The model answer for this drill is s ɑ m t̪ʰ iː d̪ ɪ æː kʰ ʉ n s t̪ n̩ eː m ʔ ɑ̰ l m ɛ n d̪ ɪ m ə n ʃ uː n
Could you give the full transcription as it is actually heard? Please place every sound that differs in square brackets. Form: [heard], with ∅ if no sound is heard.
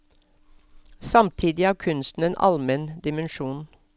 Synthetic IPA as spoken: s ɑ m t̪ʰ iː d̪ ɪ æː kʰ ʉ n s t̪ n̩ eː [n] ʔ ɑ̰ l m ɛ n d̪ ɪ m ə n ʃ uː n